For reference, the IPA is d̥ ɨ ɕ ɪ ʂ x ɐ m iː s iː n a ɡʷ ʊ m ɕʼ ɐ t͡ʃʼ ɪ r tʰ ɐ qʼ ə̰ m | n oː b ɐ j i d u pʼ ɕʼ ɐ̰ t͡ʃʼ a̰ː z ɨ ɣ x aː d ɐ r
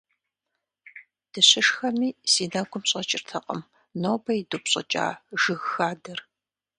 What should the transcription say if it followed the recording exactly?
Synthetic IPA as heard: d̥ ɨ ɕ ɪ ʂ x ɐ m iː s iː n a ɡʷ ʊ m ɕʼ ɐ t͡ʃʼ ɪ r tʰ ɐ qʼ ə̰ m | n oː b ɐ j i d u p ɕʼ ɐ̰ t͡ʃʼ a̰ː ʒ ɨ ɣ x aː d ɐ r